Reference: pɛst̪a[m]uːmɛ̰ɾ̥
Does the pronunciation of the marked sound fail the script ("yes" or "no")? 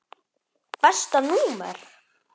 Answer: yes